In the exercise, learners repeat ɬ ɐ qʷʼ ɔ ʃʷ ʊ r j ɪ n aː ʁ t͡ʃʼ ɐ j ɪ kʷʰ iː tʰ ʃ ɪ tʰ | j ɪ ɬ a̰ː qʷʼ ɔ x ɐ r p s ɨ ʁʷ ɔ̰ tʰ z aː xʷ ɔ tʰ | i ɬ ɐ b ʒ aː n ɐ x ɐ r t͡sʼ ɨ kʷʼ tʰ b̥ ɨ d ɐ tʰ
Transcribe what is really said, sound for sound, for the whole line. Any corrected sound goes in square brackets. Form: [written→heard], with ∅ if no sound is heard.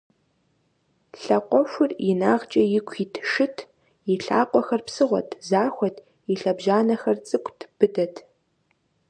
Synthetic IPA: ɬ ɐ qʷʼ ɔ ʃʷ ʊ r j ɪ n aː ʁ t͡ʃʼ ɐ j ɪ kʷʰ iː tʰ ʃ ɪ tʰ | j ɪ ɬ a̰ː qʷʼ ɔ x ɐ r p s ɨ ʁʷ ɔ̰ tʰ z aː xʷ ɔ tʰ | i ɬ ɐ b ʒ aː n ɐ x ɐ r t͡sʼ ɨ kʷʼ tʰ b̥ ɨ d ɐ tʰ